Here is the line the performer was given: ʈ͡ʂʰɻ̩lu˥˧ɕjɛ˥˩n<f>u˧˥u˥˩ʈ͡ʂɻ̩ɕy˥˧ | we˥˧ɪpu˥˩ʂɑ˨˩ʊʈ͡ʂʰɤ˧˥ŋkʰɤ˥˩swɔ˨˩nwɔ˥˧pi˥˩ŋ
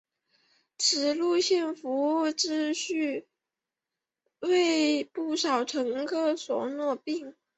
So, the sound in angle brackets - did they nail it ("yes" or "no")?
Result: yes